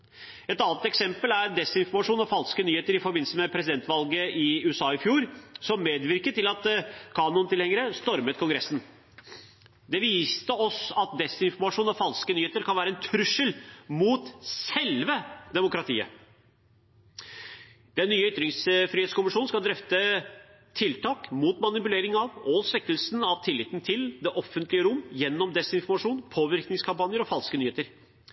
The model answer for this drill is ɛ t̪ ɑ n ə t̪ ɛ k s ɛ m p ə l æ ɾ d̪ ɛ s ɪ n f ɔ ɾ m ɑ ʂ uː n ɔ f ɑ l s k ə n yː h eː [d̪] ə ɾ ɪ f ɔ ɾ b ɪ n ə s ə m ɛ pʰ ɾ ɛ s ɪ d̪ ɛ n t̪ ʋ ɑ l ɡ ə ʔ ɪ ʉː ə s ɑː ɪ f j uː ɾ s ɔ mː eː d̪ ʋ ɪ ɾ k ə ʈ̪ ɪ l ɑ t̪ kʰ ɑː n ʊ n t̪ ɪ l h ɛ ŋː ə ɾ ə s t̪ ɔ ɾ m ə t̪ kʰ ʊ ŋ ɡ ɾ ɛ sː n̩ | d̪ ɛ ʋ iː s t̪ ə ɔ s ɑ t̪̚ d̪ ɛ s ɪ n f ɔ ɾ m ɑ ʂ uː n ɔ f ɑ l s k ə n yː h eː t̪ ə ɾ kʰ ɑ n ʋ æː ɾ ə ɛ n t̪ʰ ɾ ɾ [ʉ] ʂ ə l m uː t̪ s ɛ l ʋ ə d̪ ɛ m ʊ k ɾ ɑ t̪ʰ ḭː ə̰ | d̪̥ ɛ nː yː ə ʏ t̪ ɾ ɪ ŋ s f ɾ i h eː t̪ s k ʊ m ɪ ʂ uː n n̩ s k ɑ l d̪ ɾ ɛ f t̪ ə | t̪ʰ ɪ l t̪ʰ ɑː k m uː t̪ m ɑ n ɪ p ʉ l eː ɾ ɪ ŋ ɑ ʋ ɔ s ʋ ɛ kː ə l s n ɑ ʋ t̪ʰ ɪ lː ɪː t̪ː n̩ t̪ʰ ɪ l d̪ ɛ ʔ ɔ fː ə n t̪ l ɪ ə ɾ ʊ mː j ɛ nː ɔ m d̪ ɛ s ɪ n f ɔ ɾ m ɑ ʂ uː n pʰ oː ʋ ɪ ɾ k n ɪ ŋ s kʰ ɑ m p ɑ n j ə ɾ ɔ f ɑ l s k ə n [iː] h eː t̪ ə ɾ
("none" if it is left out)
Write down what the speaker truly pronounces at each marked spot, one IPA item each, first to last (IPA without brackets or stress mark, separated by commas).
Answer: t̪, ʉ, yː